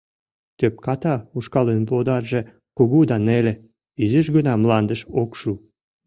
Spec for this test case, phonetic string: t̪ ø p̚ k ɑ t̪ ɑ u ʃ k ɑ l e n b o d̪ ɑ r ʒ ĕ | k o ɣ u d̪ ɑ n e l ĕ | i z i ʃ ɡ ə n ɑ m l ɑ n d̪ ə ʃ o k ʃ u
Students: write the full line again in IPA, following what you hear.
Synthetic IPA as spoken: t̪ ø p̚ k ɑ t̪ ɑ u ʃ k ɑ l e n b o d̪ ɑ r ʒ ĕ | k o ɣ u d̪ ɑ n e l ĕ | i z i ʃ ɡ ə n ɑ m l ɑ n d̪ ə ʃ o k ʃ u